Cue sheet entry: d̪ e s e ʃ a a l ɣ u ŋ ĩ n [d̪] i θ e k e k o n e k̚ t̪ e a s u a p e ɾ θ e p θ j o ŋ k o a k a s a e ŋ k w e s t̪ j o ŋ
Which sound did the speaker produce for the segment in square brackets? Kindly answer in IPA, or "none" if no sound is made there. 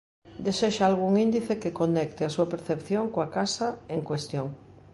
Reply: d̪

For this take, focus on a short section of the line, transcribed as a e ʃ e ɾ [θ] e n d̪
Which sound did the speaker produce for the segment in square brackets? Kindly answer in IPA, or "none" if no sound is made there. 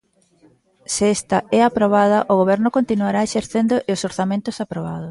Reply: θ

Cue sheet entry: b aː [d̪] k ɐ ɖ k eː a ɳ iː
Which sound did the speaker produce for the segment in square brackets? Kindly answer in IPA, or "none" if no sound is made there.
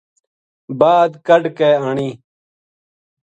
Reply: d̪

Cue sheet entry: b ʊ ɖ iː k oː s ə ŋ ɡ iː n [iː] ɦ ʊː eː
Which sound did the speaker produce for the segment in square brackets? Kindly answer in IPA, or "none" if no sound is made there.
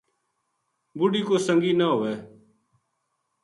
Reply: aː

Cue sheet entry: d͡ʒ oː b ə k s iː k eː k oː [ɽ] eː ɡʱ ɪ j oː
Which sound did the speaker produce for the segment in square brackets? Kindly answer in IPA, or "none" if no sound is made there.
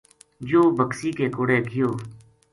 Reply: ɽ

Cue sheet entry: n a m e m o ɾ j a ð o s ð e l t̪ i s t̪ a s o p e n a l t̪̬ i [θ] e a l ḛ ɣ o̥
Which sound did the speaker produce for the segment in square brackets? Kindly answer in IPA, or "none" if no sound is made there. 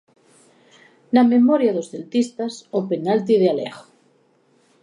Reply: ð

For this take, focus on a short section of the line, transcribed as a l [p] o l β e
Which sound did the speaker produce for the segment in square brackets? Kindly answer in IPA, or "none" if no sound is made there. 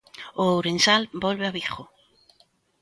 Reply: b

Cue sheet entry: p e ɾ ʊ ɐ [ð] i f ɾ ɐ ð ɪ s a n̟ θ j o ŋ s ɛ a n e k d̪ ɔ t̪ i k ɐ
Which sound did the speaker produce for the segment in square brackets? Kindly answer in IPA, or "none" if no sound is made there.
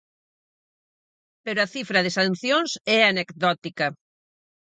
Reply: θ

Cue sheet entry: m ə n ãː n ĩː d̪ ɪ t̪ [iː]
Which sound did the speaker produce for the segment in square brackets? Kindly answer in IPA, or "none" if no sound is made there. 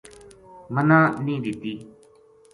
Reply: iː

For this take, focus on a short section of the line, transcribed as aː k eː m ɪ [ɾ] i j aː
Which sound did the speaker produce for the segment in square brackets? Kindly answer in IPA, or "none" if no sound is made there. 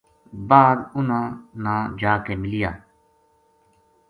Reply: l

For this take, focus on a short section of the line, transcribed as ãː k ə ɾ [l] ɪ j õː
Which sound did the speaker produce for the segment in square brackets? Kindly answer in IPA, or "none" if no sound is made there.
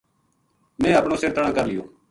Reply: l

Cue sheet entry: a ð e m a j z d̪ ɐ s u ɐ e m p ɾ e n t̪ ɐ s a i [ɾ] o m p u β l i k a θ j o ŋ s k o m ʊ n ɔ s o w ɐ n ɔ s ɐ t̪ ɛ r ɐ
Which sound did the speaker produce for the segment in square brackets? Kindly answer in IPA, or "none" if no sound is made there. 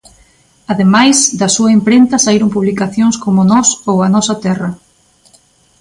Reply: ɾ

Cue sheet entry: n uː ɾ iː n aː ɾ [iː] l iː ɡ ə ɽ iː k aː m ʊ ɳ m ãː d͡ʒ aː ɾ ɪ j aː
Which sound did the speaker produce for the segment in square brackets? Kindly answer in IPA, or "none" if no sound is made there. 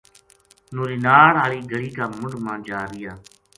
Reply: aː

